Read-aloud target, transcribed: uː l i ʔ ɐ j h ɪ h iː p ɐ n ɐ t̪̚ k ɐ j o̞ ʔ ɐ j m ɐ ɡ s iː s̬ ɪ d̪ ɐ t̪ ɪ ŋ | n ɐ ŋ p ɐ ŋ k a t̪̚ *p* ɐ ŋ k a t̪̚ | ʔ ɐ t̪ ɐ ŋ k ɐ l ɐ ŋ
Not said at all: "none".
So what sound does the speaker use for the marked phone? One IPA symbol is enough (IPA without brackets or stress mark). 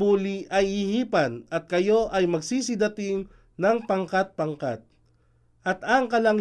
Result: p